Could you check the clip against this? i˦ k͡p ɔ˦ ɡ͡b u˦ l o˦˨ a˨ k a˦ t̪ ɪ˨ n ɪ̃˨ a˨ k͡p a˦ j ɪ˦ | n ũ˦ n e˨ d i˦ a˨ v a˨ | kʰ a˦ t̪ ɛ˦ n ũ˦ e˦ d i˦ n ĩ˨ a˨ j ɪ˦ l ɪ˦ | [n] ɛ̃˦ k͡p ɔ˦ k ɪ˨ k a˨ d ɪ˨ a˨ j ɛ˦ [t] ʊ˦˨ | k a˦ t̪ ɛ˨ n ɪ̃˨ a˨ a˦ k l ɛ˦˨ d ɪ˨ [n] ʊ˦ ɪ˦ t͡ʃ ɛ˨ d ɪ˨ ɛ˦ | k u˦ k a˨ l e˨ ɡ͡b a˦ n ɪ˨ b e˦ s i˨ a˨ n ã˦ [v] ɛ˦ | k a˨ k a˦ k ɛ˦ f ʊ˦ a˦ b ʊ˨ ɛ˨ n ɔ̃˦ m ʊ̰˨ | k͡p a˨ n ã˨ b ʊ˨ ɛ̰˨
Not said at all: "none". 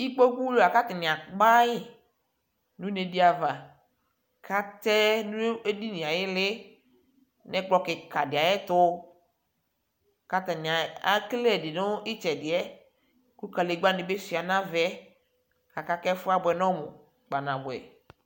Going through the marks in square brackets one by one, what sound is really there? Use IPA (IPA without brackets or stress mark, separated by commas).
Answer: n, t, n, v